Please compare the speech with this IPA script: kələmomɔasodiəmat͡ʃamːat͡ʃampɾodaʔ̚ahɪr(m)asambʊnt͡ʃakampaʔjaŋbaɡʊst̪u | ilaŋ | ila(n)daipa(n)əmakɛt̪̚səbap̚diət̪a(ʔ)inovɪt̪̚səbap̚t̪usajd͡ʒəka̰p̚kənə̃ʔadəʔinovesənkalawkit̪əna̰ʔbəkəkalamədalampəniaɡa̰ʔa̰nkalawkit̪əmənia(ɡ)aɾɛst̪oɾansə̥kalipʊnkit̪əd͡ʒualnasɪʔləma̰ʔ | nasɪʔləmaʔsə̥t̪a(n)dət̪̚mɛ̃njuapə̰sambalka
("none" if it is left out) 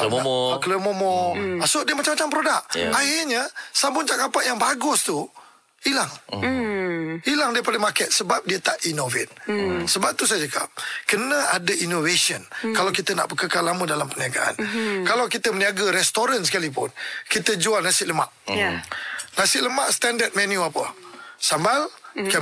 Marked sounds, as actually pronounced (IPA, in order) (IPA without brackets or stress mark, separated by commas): ɲ, ŋ, d, ʔ, ɡ, n